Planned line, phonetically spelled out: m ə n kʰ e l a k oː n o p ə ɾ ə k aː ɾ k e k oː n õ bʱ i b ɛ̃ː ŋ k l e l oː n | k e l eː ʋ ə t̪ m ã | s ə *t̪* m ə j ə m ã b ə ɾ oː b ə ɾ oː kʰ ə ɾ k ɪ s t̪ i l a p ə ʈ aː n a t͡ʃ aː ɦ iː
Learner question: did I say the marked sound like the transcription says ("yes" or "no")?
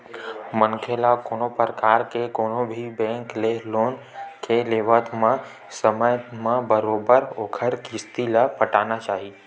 no